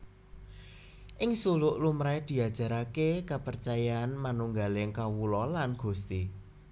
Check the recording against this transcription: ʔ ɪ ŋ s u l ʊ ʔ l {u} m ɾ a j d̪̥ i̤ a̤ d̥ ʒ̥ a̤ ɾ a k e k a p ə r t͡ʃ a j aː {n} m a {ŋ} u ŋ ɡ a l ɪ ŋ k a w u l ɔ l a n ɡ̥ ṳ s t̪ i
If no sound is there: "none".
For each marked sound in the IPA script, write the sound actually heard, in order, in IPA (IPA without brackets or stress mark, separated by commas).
u, n, n